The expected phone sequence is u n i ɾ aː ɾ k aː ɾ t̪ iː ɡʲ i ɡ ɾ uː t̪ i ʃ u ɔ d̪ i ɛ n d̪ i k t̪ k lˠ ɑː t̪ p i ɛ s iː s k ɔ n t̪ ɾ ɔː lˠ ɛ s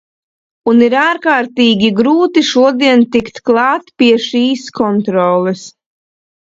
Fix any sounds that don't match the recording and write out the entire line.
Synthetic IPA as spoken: u n i ɾ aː ɾ k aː ɾ t̪ iː ɡʲ i ɡ ɾ uː t̪ i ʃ u ɔ d̪ i ɛ n t̪ i k t̪ k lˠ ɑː t̪ p i ɛ ʃ iː s k ɔ n t̪ ɾ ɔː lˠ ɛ s